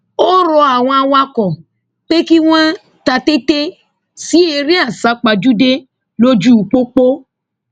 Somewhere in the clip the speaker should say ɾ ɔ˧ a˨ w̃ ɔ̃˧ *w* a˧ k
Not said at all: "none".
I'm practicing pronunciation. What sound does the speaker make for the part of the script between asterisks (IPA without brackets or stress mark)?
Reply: w